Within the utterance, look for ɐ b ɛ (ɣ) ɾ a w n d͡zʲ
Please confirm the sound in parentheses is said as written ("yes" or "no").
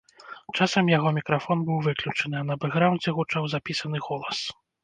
yes